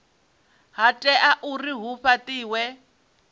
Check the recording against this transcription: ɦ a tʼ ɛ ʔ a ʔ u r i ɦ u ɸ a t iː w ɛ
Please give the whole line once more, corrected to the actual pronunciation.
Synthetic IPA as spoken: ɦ a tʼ ɛ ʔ a ʔ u r i ɦ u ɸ a t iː w ɛ